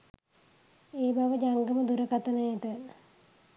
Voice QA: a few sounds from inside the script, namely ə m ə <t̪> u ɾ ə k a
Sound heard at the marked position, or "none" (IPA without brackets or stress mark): d̪